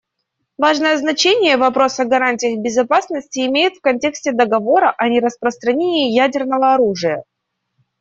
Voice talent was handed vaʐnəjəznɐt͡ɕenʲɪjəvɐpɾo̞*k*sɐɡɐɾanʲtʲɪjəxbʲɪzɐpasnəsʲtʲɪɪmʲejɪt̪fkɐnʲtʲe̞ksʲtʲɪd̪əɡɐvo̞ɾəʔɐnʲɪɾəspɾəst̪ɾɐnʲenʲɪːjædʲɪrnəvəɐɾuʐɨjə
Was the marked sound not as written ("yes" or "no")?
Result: yes